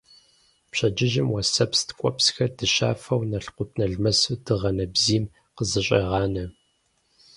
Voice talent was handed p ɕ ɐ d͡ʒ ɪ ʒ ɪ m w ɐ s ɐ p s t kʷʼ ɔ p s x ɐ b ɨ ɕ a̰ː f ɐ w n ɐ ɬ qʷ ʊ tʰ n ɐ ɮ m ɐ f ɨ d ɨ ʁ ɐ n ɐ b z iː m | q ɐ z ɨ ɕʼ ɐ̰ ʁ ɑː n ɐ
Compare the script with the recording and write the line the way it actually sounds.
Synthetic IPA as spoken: p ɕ ɐ d͡ʒ ɪ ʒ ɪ m w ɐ s ɐ p s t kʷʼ ɔ p s x ɐ d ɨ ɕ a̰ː f ɐ w n ɐ ɬ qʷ ʊ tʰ n ɐ ɮ m ɐ s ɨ d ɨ ʁ ɐ n ɐ b z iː m | q ə z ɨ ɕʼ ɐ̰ ʁ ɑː n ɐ